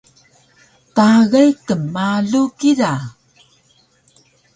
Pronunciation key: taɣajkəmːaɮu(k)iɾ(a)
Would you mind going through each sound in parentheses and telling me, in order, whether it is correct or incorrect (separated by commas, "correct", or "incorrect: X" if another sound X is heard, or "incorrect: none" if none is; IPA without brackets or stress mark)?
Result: correct, correct